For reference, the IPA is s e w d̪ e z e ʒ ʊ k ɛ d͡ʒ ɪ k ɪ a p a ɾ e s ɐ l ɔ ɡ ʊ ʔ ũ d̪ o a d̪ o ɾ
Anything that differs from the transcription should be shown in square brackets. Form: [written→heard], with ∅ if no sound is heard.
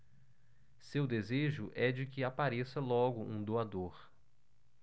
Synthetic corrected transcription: s e w d̪ e z e ʒ ʊ [k→ʔ] ɛ d͡ʒ ɪ k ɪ a p a ɾ e s ɐ l ɔ ɡ ʊ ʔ ũ d̪ o a d̪ o ɾ